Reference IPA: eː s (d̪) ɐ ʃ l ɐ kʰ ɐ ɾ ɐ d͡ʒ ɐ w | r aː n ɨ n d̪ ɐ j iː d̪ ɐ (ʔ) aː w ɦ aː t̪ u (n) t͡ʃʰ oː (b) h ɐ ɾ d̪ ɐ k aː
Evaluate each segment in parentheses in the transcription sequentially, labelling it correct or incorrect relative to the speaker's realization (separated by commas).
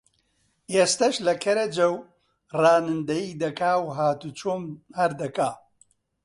incorrect, incorrect, incorrect, incorrect